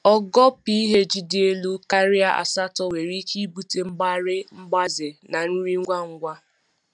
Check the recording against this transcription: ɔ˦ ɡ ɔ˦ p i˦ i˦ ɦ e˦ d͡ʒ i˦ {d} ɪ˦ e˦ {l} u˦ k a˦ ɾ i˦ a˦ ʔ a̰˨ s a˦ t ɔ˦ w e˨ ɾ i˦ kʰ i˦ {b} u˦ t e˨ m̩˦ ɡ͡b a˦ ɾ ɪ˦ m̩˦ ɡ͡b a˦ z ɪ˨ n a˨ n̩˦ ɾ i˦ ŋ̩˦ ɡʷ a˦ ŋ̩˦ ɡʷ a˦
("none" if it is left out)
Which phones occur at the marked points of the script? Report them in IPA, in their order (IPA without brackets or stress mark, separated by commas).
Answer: d, l, b